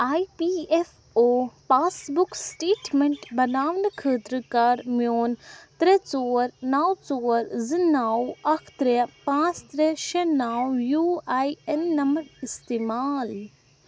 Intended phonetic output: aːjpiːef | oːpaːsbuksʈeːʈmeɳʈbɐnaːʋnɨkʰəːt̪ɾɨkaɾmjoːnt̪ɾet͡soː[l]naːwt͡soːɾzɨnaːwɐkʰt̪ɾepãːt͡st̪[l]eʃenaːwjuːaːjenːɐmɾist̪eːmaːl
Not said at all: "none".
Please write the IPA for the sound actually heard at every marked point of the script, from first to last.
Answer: ɾ, ɾ

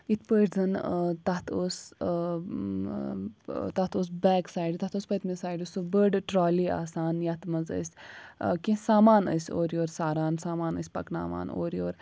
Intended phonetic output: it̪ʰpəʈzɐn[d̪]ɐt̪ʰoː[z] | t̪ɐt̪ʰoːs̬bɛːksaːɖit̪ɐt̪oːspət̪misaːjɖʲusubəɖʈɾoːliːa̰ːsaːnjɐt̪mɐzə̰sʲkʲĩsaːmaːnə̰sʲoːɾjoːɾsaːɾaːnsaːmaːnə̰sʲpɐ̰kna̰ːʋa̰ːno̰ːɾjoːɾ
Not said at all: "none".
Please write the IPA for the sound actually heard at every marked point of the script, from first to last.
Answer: t̪, s

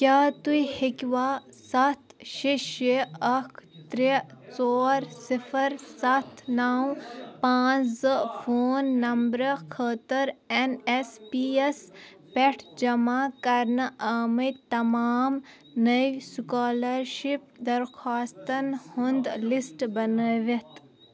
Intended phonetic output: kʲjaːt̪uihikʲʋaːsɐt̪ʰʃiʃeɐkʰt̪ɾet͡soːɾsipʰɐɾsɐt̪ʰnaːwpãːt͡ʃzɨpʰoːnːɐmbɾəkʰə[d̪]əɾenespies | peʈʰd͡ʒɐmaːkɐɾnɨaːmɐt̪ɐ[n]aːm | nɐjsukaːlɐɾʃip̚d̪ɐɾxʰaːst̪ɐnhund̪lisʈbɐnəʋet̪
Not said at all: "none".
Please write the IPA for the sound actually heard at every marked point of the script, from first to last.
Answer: t̪, m

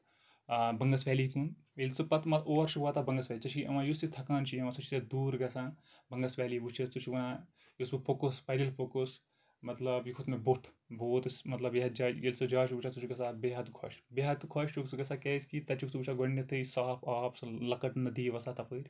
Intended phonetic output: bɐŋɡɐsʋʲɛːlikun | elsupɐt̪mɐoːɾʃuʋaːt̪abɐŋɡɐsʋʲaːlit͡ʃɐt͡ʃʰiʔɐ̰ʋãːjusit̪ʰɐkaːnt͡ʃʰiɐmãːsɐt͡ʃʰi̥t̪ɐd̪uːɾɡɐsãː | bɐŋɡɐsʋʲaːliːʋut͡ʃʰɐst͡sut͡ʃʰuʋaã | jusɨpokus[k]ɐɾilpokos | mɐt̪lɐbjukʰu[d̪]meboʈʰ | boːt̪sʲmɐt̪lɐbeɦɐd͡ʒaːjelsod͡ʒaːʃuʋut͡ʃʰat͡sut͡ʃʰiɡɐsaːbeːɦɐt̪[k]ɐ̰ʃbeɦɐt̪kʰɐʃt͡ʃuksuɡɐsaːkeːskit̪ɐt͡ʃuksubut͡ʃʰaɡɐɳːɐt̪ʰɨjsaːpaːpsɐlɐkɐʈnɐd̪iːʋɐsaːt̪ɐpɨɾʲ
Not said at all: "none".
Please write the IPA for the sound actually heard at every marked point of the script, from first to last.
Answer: p, t̪, kʰ

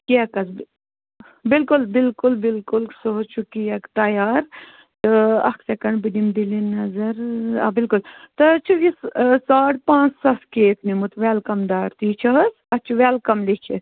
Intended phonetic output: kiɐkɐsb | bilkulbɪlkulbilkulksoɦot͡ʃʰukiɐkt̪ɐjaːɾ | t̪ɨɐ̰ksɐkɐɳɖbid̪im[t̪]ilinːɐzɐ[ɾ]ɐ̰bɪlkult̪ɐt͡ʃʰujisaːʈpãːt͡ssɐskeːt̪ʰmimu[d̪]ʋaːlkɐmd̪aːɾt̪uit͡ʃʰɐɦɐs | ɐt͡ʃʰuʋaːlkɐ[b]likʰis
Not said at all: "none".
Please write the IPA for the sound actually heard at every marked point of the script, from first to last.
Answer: d̪, ɾ, t̪, m

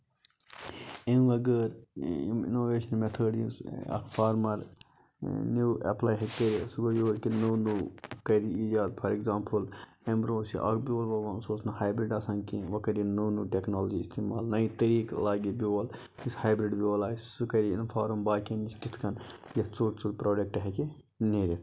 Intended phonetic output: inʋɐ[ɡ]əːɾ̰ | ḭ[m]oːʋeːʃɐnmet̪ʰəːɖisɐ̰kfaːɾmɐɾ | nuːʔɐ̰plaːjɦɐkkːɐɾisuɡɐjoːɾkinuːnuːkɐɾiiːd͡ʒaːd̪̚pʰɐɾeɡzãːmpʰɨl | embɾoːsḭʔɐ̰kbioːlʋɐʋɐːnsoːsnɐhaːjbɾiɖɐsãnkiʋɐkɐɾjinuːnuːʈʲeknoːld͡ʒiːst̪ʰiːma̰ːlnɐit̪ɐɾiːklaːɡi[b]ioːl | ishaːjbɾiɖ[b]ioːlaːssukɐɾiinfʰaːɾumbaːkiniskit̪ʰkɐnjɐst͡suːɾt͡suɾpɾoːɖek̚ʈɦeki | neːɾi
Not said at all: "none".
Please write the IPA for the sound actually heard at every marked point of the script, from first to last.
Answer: ɡ, n, b, b

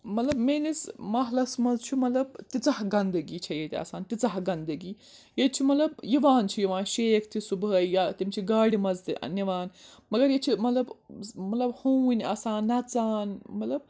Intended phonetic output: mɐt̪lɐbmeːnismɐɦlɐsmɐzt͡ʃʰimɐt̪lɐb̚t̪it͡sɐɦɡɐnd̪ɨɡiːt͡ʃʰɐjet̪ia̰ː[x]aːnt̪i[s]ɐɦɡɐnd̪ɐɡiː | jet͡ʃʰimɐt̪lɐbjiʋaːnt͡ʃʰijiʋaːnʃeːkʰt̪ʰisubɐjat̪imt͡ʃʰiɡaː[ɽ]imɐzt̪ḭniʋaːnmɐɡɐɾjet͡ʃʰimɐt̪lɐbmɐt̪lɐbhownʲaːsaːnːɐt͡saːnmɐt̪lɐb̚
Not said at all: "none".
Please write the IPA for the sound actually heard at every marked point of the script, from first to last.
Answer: s, t͡s, ɽ

